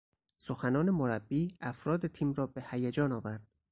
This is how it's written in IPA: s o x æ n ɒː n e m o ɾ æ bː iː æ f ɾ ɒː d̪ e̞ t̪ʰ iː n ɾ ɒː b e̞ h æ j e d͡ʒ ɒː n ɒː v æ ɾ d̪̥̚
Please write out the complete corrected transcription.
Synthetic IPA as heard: s o x æ n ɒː n e m o ɾ æ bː iː æ f ɾ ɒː d̪ e̞ t̪ʰ iː m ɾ ɒː b e̞ h æ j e d͡ʒ ɒː n ɒː v æ ɾ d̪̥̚